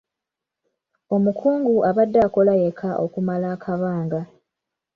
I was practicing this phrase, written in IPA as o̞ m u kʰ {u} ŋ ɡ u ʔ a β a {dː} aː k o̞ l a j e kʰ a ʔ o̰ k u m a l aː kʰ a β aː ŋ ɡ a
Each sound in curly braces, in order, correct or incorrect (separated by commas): incorrect, correct